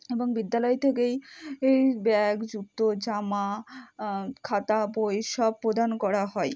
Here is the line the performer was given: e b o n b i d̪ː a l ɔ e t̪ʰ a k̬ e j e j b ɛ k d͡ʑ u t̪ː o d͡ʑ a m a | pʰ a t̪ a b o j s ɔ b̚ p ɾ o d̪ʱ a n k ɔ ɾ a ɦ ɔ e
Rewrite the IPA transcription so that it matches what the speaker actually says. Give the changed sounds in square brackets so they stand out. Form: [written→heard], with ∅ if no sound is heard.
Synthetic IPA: e b o [n→ŋ] b i d̪ː a l ɔ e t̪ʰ [a→e] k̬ e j e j b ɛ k d͡ʑ u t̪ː o d͡ʑ a m a | [pʰ→kʰ] a t̪ a b o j [s→ʃ] ɔ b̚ p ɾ o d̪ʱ a n k ɔ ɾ a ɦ ɔ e